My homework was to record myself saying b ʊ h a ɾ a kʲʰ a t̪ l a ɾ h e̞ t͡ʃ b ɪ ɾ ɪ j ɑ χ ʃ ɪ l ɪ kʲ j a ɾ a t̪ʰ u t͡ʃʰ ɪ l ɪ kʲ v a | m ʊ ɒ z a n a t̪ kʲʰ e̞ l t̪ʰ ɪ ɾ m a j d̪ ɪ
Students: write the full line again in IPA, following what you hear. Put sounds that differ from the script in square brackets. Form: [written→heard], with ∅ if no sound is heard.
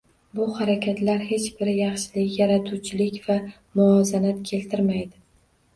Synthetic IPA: b ʊ h a ɾ a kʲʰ a t̪ l a ɾ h e̞ t͡ʃ b ɪ ɾ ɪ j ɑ χ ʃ ɪ l ɪ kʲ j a ɾ a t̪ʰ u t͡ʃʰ ɪ l ɪ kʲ v a | m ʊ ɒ z a n a t̪ kʲʰ e̞ l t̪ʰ ɪ ɾ m a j d̪ ɪ